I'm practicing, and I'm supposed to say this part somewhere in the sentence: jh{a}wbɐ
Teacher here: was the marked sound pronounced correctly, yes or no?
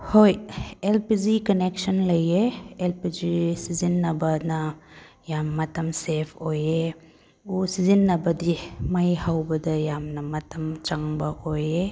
yes